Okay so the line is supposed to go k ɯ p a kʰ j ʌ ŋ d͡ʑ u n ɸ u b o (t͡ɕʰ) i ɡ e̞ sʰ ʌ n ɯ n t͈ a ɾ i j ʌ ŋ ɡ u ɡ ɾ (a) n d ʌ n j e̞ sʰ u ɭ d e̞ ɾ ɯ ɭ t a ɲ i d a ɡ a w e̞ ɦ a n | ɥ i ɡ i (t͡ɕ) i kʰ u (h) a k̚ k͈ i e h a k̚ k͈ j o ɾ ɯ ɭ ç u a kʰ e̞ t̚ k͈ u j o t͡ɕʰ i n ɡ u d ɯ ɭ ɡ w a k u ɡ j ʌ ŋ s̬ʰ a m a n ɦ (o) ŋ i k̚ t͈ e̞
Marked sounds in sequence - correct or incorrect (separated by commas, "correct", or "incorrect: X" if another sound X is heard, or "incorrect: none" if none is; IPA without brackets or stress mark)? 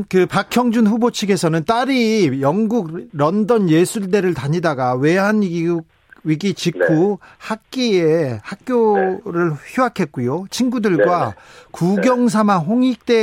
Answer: correct, incorrect: ʌ, correct, correct, correct